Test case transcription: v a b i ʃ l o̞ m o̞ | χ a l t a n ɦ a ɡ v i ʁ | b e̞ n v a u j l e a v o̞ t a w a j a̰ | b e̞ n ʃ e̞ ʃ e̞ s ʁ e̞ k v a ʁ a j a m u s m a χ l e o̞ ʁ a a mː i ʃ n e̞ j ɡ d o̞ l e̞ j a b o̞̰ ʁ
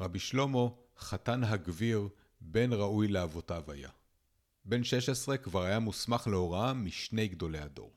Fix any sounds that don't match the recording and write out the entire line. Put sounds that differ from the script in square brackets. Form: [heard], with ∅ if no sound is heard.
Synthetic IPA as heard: [ʁ] a b i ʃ l o̞ m o̞ | χ a [∅] t a n ɦ a ɡ v i ʁ | b e̞ n [ʁ] a u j l e a v o̞ t a [v] a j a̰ | b e̞ n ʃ e̞ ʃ e̞ s ʁ e̞ k v a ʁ a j a m u s m a χ l e o̞ ʁ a a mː i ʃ n e̞ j ɡ d o̞ l e̞ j a [d] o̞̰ ʁ